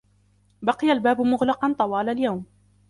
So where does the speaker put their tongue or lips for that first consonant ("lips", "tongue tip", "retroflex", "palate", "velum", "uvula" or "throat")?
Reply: lips